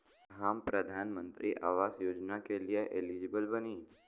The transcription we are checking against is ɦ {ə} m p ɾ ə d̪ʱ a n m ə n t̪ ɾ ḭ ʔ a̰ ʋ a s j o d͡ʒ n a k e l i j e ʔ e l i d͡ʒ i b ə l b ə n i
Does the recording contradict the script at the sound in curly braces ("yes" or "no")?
yes